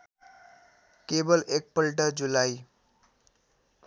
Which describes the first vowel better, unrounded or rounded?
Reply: unrounded